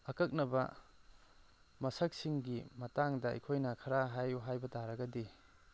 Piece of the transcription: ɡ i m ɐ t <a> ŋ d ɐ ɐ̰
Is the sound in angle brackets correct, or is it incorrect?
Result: correct